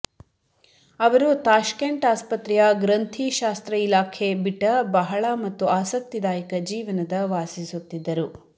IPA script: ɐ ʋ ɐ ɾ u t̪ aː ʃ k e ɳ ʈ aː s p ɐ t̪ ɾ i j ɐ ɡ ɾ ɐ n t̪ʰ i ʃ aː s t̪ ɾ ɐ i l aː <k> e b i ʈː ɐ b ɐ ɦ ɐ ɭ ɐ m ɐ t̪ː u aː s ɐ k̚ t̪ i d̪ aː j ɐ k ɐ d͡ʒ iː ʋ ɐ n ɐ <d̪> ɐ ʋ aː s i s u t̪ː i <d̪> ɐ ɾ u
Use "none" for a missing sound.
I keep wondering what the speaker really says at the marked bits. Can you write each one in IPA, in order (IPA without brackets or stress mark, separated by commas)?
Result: kʰ, d̪, d̪ː